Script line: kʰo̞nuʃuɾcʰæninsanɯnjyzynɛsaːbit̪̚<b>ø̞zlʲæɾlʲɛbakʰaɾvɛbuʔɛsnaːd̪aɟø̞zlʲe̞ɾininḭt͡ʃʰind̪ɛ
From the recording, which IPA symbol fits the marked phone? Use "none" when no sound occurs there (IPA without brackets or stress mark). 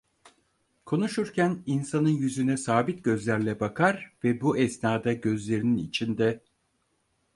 ɟ